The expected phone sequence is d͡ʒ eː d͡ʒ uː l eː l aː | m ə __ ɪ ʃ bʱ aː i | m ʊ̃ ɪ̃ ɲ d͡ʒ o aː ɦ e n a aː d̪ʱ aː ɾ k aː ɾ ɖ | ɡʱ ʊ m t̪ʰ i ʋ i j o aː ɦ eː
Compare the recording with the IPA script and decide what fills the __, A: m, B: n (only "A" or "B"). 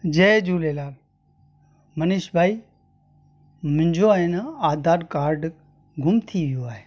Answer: B